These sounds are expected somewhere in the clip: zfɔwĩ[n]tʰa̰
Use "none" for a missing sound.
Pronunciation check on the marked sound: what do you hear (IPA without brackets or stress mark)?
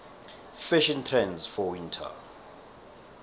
n